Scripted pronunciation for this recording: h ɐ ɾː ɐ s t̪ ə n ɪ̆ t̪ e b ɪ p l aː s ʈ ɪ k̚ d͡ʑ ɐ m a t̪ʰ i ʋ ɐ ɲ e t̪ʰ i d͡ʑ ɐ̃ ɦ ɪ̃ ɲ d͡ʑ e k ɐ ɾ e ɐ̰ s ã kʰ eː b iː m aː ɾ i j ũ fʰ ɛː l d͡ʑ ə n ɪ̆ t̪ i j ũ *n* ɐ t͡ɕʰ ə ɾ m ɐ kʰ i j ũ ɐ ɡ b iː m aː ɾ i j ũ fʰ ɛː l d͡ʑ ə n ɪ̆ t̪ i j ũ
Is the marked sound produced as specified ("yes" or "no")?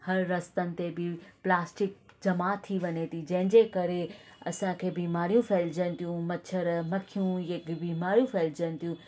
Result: no